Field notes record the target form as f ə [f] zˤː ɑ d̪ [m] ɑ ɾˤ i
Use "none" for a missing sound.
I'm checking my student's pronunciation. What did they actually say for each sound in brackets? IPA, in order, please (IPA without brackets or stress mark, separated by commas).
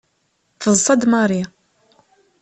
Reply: none, m